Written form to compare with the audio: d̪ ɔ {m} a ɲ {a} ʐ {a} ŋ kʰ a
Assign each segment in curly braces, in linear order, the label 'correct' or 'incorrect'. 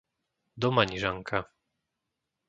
correct, incorrect: i, correct

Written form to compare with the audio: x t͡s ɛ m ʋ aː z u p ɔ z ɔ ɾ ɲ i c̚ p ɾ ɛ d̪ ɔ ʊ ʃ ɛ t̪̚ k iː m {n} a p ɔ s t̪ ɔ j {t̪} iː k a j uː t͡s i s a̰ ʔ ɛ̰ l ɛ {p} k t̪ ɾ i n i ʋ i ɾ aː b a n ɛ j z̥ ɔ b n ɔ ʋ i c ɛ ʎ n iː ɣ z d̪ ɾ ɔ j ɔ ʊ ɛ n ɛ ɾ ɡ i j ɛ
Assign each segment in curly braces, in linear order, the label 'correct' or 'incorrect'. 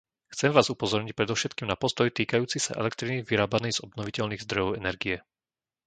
correct, correct, incorrect: none

